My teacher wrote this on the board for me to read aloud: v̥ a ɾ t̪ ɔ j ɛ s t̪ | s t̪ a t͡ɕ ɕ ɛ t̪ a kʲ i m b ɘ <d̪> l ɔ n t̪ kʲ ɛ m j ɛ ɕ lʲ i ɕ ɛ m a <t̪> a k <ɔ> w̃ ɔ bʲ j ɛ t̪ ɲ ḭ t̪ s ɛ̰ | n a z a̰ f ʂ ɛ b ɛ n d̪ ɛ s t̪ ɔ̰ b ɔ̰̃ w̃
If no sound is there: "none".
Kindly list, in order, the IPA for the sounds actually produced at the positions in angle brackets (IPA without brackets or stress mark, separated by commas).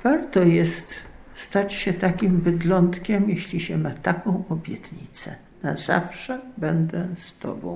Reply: d̪, t̪, ɔ̃